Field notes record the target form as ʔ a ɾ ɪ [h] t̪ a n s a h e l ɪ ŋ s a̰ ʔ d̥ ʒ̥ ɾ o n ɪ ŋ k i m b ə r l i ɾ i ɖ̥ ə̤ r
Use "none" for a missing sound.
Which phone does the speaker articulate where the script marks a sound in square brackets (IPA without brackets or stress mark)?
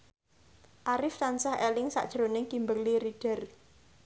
f